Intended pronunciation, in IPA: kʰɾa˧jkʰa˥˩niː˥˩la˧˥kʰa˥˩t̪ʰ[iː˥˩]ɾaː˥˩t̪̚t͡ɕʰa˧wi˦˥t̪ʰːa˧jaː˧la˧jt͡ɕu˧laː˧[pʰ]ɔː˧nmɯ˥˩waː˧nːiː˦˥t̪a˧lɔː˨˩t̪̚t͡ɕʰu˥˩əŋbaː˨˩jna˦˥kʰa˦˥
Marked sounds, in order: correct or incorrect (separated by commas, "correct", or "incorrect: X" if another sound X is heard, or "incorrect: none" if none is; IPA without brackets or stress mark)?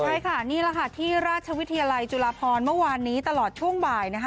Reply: correct, correct